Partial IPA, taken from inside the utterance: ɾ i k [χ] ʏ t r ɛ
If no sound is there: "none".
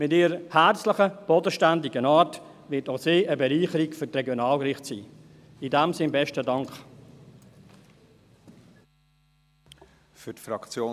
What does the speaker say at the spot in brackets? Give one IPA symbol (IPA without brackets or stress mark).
f